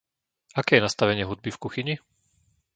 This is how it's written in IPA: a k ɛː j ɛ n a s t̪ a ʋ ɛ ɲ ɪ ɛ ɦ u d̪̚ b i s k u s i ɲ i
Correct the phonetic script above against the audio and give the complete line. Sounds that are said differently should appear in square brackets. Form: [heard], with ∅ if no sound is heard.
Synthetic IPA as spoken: a k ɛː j ɛ n a s t̪ a ʋ ɛ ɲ ɪ ɛ ɦ u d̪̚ b i [f] k u [x] i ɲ i